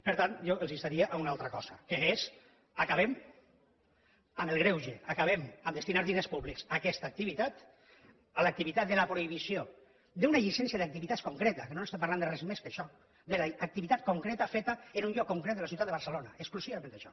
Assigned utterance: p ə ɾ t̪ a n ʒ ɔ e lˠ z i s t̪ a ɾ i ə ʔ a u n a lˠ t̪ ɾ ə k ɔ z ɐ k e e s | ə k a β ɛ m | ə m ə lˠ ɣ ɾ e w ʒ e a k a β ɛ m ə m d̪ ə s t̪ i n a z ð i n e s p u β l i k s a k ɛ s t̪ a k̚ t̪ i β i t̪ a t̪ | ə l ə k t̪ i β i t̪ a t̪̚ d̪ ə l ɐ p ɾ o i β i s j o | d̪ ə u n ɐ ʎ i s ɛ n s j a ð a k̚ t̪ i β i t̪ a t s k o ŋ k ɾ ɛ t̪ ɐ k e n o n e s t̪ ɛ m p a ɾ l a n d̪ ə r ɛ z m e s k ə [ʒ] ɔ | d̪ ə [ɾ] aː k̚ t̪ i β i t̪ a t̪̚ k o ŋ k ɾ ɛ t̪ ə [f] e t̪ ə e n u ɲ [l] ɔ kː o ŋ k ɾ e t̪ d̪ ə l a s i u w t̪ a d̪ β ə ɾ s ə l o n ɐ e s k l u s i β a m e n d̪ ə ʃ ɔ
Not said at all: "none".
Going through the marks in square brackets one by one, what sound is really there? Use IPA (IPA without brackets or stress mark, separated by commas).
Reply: ʃ, l, f, ʎ